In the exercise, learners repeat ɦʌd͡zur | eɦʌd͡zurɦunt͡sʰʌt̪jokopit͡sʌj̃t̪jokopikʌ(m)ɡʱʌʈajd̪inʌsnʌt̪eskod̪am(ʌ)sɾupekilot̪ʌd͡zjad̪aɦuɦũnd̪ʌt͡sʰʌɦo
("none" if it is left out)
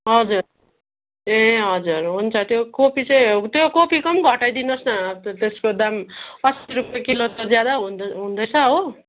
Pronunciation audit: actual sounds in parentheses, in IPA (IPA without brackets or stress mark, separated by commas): m, ʌ